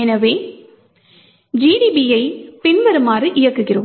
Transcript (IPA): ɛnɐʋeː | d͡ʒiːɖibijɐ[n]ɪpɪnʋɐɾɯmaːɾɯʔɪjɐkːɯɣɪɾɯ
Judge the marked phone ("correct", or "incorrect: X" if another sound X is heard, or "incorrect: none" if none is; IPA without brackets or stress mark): incorrect: none